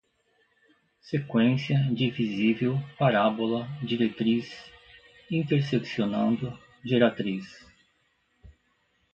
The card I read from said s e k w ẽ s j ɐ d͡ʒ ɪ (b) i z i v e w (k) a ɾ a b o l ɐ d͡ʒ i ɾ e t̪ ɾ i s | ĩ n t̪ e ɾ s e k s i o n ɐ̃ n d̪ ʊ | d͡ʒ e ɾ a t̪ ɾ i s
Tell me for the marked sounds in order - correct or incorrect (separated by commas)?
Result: incorrect, incorrect